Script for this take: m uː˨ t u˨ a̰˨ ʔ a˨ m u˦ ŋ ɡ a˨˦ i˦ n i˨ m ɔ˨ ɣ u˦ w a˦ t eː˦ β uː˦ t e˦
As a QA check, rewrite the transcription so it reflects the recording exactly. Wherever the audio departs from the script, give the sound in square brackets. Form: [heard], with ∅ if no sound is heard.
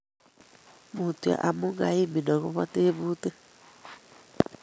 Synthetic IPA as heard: m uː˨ t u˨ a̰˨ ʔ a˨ m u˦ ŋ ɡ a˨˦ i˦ [m] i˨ [n] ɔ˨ ɣ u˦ [β] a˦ t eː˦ β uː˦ t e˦